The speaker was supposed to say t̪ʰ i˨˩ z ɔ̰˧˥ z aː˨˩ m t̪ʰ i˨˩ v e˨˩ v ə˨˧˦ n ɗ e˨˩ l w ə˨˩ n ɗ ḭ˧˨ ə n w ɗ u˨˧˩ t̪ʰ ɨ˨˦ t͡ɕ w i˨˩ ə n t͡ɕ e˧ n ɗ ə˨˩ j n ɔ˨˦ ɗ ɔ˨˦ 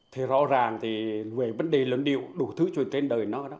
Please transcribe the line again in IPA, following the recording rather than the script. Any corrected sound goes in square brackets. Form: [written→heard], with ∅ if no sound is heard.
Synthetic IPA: t̪ʰ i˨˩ z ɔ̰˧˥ z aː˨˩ [m→ŋ] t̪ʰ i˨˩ v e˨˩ v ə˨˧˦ n ɗ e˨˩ l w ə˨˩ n ɗ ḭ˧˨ ə [n→∅] w ɗ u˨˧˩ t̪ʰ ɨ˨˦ t͡ɕ w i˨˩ ə n t͡ɕ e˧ n ɗ [ə˨˩→əː˨˩] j n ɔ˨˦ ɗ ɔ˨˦